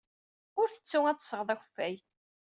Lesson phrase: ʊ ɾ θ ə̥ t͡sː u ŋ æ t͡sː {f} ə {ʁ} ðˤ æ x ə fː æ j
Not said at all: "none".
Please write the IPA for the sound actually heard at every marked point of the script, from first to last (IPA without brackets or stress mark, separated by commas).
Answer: s, ʁ